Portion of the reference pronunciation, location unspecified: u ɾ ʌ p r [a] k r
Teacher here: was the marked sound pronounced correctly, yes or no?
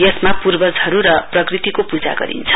no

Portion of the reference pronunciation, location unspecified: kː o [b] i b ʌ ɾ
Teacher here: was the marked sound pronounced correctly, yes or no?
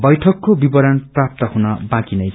yes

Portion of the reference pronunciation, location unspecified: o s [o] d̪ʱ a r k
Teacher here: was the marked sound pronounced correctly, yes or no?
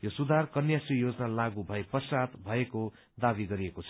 no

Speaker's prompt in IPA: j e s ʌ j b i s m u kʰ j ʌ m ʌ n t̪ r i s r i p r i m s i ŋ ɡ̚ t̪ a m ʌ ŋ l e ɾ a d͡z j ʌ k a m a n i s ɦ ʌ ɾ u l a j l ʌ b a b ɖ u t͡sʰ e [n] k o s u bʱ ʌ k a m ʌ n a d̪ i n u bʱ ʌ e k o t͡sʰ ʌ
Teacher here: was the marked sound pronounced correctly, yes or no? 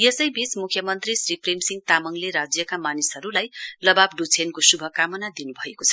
yes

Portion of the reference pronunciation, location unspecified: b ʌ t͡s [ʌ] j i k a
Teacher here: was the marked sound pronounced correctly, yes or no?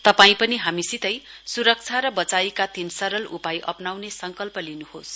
no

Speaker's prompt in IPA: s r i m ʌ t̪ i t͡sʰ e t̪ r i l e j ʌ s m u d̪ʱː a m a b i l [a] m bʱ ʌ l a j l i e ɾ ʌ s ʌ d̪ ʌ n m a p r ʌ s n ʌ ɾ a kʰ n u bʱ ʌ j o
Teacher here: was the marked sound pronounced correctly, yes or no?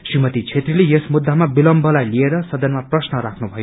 no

